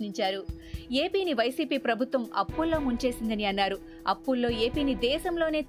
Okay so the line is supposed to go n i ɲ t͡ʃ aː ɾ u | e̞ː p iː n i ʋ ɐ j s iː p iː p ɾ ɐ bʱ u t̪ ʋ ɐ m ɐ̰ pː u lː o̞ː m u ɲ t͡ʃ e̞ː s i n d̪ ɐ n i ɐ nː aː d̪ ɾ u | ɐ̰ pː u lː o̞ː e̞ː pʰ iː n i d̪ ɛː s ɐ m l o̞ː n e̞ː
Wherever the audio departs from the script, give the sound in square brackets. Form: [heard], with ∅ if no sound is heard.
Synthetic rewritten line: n i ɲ t͡ʃ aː ɾ u | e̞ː p iː n i ʋ ɐ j s iː p iː p ɾ ɐ bʱ u t̪ ʋ ɐ m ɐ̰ pː u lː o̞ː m u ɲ t͡ʃ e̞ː s i n d̪ ɐ n i ɐ nː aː [∅] ɾ u | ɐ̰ pː u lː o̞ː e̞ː [p] iː n i d̪ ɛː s ɐ m l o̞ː n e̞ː